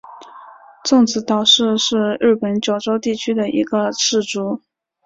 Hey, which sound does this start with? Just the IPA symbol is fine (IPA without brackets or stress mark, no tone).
t͡s